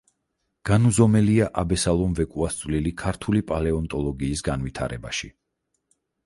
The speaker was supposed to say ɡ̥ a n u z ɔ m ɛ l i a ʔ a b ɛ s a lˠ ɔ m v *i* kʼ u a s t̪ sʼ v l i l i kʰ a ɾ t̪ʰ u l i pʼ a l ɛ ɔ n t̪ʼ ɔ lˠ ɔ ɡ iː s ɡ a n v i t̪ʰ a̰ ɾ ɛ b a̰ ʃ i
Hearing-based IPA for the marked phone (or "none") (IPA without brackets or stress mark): ɛ